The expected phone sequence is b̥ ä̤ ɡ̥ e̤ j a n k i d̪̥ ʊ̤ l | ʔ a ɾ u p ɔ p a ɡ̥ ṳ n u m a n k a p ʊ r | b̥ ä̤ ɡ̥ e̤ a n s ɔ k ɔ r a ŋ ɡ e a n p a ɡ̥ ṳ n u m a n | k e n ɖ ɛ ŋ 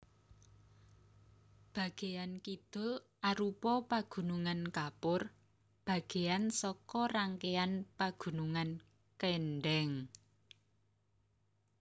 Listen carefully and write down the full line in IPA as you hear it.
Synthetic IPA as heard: b̥ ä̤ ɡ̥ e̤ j a n k i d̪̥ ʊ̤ l | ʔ a ɾ u p ɔ p a ɡ̥ ṳ n u ŋ a n k a p ʊ r | b̥ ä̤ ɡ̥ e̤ a n s ɔ k ɔ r a ŋ k e a n p a ɡ̥ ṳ n u ŋ a n | k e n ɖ ɛ ŋ